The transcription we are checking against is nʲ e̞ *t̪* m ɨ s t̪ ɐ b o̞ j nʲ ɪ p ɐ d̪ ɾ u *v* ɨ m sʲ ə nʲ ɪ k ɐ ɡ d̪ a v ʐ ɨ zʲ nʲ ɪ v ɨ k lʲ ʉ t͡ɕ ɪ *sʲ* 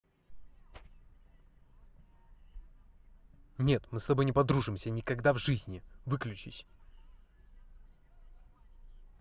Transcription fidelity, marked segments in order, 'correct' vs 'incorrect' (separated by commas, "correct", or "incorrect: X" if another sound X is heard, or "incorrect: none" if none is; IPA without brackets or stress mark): correct, incorrect: ʐ, correct